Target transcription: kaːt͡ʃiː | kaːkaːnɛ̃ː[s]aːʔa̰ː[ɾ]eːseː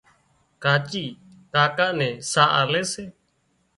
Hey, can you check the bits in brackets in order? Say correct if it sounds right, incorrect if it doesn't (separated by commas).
correct, incorrect